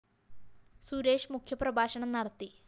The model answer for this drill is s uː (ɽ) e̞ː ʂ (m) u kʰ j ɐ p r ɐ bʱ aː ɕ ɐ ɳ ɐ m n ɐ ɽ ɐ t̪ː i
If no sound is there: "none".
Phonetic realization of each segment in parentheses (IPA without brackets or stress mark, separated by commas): ɾ, m